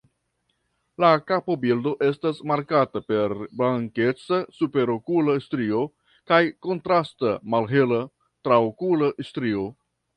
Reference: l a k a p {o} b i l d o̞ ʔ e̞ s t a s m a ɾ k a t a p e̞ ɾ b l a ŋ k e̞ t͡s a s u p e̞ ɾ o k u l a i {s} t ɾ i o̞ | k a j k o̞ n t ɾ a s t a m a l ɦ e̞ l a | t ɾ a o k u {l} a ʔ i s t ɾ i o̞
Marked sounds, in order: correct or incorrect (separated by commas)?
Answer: correct, correct, correct